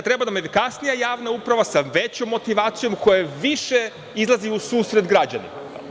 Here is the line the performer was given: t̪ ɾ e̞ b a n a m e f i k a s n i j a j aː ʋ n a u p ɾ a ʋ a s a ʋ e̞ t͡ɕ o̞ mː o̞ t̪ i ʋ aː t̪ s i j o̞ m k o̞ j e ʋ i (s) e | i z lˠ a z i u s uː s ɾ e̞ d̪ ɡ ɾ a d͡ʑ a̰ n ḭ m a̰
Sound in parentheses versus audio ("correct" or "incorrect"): incorrect